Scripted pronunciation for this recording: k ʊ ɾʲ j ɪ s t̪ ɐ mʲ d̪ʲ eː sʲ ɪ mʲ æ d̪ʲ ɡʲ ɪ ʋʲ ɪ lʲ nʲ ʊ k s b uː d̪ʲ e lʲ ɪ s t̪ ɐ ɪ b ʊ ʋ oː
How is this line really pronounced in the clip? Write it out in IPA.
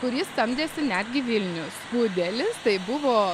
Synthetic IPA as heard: k ʊ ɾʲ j ɪ s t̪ ɐ mʲ d̪ʲ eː sʲ ɪ nʲ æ d̪ʲ ɡʲ ɪ ʋʲ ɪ lʲ nʲ ʊ s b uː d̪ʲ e lʲ ɪ s t̪ ɐ ɪ b ʊ ʋ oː